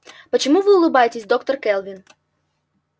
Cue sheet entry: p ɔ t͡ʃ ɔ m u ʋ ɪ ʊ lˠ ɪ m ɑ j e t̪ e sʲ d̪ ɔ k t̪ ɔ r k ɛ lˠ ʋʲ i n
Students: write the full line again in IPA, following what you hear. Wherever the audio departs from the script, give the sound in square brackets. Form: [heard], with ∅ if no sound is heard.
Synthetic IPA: p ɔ t͡ʃ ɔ m u ʋ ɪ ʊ lˠ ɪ [b] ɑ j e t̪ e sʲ d̪ ɔ k t̪ ɔ r k ɛ lˠ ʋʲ i n

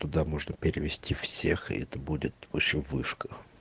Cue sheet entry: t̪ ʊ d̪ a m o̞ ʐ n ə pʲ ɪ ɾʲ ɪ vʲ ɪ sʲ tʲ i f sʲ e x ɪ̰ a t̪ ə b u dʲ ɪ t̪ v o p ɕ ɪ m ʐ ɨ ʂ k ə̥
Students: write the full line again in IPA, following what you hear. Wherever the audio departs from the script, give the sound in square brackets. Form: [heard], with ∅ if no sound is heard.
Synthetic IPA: t̪ ʊ d̪ a m o̞ ʐ n ə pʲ ɪ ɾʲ ɪ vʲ ɪ sʲ tʲ i f sʲ e x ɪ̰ [ɛ] t̪ ə b u dʲ ɪ t̪ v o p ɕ ɪ m [v] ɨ ʂ k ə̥

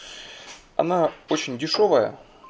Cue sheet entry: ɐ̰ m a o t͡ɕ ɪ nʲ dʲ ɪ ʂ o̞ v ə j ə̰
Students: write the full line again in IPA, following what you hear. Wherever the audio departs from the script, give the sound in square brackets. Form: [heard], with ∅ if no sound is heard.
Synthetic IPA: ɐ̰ [n] a o t͡ɕ ɪ nʲ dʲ ɪ ʂ o̞ v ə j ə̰

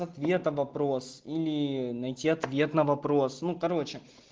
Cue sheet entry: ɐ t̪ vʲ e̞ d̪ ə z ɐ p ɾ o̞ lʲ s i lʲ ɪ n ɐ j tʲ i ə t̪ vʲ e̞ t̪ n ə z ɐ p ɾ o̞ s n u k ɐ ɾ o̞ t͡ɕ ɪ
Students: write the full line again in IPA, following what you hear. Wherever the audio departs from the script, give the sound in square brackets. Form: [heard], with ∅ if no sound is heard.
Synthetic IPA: ɐ t̪ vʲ e̞ [t̪] ə [v] ɐ p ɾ o̞ [∅] s i lʲ ɪ n ɐ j tʲ i [ɐ] t̪ vʲ e̞ t̪ n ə [v] ɐ p ɾ o̞ s n u k ɐ ɾ o̞ t͡ɕ ɪ

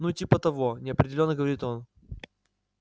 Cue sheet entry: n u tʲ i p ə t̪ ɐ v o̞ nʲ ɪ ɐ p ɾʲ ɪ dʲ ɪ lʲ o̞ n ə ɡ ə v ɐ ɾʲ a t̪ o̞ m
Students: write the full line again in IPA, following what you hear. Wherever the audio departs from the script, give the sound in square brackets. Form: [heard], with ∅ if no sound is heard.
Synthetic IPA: n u tʲ i p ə t̪ ɐ v o̞ nʲ ɪ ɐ p ɾʲ ɪ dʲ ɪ lʲ o̞ [nː] ə ɡ ə v ɐ ɾʲ [i] t̪ o̞ [n]

